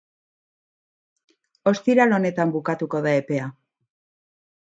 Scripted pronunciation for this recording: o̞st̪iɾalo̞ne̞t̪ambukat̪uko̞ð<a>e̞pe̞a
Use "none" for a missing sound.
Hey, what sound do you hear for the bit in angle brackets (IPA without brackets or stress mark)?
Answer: a